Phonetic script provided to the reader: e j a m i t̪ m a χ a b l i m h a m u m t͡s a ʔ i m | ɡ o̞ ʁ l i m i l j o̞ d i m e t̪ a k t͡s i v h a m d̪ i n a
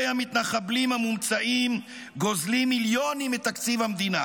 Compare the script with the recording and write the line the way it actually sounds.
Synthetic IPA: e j a m i t̪ n a χ a b l i m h a m u m t͡s a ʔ i m | ɡ o̞ z l i m i l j o̞ n i m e t̪ a k t͡s i v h a m d̪ i n a